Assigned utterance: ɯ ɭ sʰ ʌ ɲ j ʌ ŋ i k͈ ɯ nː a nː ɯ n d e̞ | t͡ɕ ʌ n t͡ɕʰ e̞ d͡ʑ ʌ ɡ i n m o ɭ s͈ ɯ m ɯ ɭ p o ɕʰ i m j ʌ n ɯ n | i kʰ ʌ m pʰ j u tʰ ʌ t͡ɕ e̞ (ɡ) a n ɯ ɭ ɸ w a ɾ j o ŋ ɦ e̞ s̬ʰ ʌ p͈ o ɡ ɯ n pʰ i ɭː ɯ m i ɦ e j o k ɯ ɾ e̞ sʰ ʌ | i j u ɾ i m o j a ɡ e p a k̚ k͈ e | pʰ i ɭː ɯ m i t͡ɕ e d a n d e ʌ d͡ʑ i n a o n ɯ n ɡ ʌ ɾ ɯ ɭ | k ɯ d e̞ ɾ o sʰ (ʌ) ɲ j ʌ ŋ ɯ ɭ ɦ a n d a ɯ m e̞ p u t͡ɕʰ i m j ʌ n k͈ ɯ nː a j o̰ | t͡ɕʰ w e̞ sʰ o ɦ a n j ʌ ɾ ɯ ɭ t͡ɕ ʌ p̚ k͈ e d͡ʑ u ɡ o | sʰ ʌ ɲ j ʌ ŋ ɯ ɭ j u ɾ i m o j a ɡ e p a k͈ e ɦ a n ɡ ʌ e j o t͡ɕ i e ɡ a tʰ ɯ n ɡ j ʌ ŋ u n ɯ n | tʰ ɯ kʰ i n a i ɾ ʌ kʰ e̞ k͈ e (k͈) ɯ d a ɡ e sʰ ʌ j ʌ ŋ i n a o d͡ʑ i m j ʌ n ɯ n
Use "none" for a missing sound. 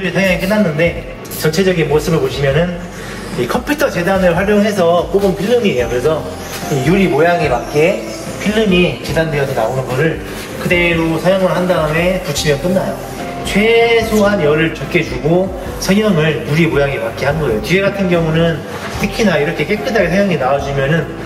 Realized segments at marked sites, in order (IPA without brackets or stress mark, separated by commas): d, ʌ, k͈